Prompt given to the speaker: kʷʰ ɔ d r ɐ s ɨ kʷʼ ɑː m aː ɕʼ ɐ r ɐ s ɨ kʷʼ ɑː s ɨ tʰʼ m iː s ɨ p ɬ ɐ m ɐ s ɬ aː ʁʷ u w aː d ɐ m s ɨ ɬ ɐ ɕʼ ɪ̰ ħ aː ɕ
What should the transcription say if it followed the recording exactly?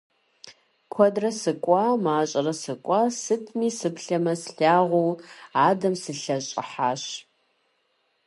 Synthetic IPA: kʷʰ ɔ d r ɐ s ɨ kʷʼ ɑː m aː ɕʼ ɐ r ɐ s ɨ kʷʼ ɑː s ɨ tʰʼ m iː s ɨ p ɬ ɐ m ɐ s ɬ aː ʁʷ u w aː d ɐ m s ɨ ɬ ɐ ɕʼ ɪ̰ ħ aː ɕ